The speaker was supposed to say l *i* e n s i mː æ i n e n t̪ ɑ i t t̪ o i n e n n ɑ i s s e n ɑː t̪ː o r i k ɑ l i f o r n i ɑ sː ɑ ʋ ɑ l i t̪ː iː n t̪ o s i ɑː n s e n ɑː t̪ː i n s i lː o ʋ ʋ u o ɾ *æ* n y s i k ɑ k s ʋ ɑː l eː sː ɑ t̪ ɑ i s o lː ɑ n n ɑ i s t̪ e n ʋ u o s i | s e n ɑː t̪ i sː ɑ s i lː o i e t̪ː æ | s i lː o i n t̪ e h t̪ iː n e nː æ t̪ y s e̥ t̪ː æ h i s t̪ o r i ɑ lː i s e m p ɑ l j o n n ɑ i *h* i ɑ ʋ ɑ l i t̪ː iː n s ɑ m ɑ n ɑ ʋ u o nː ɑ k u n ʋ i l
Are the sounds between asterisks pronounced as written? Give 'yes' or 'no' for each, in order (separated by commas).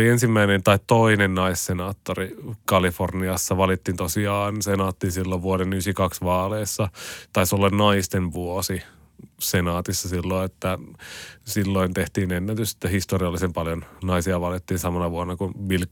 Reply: yes, no, no